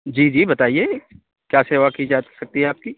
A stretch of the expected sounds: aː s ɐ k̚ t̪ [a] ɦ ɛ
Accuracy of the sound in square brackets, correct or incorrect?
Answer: incorrect